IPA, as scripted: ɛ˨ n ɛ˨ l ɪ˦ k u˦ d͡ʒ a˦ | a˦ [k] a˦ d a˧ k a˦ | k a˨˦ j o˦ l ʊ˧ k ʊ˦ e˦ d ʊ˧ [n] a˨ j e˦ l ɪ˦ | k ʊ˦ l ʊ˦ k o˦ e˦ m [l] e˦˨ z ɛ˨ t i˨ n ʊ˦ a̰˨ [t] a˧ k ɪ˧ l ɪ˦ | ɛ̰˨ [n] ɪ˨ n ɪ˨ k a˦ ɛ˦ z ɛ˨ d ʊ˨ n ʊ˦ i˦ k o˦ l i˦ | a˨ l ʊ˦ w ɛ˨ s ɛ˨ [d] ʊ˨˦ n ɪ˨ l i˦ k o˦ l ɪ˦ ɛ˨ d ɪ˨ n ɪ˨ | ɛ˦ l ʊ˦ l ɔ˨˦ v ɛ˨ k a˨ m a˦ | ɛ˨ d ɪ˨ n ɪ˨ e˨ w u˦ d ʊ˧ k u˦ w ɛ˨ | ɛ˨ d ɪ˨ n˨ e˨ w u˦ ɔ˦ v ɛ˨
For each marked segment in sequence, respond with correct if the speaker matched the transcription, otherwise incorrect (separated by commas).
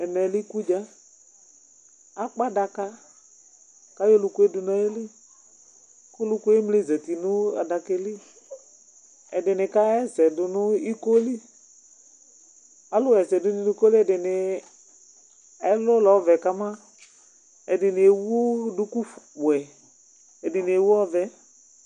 incorrect, correct, correct, incorrect, incorrect, correct